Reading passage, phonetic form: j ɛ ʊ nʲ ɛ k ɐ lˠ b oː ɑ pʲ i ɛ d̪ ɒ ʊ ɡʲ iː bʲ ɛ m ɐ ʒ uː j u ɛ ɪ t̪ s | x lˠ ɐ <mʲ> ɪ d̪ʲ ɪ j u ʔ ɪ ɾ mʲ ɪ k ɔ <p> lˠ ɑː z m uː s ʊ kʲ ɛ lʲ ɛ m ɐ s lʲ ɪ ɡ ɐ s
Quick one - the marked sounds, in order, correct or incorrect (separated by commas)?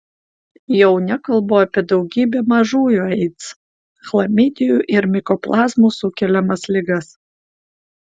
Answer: correct, correct